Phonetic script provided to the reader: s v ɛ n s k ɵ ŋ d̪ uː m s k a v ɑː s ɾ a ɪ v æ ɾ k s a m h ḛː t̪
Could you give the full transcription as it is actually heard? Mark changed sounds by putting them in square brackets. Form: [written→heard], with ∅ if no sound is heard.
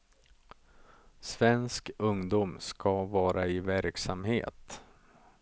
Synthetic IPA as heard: s v ɛ n s k ɵ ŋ d̪ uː m s k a v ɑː [s→∅] ɾ a ɪ v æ ɾ k s a m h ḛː t̪